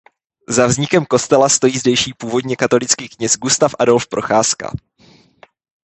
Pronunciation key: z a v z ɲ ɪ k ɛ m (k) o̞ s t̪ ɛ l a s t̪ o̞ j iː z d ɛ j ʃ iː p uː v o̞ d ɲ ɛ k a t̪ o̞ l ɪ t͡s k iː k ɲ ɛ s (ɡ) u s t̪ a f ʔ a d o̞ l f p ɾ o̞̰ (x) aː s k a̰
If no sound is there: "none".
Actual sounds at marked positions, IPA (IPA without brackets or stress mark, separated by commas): k, ɡ, x